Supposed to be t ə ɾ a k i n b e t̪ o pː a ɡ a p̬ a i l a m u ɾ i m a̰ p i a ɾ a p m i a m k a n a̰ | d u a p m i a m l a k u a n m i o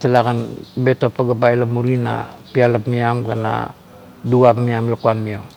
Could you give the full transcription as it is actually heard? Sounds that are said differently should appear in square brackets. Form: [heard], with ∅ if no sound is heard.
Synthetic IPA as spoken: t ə [l] a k [a] n b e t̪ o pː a ɡ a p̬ a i l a m u ɾ i [n] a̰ p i a [l] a p m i a m k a n a̰ | d u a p m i a m l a k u a n m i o